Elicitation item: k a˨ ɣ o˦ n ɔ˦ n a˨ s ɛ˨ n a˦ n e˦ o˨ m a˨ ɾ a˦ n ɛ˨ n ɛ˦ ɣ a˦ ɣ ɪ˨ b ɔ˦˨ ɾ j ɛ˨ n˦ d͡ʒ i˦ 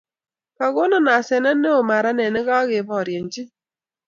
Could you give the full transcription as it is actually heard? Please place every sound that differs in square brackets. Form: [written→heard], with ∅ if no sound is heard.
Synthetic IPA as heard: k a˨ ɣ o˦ n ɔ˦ n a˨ s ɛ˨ n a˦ n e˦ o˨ m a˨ ɾ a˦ n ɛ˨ n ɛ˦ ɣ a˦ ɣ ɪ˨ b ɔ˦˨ ɾ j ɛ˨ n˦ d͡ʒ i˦